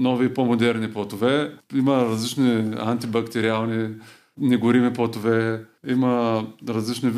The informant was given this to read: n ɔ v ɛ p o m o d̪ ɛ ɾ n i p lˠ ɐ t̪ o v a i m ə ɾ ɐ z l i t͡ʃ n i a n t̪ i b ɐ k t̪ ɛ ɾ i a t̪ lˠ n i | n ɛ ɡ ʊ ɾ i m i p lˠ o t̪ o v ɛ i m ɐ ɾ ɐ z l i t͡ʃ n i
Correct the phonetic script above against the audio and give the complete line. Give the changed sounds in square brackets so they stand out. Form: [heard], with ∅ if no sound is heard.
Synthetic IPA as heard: n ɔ v [i] p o m o d̪ ɛ ɾ n i p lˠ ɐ t̪ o v [ɛ] i m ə ɾ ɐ z l i t͡ʃ n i a n t̪ i b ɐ k t̪ ɛ ɾ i a [∅] lˠ n i | n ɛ ɡ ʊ ɾ i m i p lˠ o t̪ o v ɛ i m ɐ ɾ ɐ z l i t͡ʃ n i